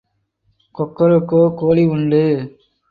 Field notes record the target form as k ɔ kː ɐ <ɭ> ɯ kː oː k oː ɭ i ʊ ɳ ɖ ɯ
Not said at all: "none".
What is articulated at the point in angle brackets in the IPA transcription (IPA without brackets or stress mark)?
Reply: ɾ